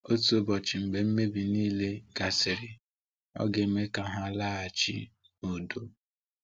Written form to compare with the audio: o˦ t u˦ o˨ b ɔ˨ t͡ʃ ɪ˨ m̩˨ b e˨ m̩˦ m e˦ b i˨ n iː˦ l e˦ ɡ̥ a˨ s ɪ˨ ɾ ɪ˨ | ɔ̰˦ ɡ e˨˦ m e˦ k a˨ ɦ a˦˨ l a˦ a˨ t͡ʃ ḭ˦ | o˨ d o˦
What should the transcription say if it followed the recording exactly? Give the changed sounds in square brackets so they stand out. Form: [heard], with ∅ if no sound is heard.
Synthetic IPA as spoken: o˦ t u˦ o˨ b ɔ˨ t͡ʃ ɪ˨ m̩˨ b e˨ m̩˦ m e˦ b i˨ n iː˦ l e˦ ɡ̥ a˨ s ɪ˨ ɾ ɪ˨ | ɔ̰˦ ɡ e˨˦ m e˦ k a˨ ɦ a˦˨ l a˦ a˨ t͡ʃ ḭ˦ | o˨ d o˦